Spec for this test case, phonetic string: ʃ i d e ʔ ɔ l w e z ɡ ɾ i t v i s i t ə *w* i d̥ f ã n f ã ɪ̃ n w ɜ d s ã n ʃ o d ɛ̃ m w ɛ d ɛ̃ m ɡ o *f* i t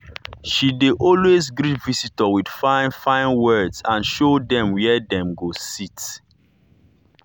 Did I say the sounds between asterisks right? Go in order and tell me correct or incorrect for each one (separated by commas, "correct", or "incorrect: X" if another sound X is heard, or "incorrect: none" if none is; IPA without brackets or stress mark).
correct, incorrect: s